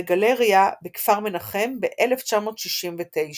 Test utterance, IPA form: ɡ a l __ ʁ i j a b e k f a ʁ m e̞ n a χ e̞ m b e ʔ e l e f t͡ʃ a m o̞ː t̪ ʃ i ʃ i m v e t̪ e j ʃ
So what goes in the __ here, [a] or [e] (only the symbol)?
e